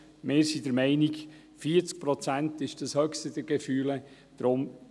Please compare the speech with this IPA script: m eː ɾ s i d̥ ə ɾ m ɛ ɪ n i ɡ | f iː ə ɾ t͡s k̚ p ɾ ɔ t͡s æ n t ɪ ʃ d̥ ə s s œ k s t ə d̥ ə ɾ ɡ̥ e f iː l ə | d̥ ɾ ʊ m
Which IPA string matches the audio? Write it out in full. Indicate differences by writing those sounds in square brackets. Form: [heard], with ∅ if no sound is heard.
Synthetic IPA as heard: m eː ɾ s i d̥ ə ɾ m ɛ ɪ n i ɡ | f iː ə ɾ t͡s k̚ p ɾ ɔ t͡s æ n t ɪ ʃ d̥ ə s [h] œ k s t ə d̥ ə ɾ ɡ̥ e f [yː] l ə | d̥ ɾ ʊ m